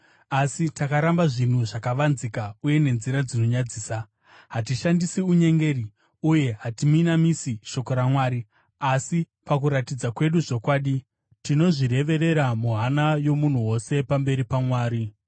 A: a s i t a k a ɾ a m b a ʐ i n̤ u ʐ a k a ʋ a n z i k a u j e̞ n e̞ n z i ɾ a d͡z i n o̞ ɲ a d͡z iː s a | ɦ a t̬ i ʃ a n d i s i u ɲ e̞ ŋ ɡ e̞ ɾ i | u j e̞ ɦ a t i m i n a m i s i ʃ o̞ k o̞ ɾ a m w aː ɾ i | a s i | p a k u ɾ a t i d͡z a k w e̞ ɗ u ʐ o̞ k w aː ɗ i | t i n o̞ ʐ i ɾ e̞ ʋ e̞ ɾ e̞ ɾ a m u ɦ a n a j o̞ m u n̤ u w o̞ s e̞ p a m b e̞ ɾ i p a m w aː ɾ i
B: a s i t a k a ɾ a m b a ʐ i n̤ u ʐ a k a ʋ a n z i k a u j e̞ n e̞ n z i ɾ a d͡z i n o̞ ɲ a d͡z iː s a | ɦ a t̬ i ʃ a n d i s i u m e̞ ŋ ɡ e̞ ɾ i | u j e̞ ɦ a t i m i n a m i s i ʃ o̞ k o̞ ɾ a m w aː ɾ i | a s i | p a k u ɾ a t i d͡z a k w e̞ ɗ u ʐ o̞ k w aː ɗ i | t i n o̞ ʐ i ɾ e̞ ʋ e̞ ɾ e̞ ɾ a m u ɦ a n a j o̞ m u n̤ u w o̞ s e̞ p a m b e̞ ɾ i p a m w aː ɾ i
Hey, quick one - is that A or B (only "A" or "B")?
A